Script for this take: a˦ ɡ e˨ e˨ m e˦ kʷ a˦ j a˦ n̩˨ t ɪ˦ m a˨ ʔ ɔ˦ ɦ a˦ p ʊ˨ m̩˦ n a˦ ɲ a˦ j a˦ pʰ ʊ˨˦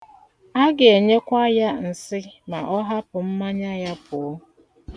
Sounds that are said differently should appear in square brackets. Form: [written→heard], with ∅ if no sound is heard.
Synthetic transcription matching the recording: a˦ ɡ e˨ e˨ [m→ɲ] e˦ kʷ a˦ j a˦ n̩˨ [t→s] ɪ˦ m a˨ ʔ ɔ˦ ɦ a˦ p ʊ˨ m̩˦ [n→m] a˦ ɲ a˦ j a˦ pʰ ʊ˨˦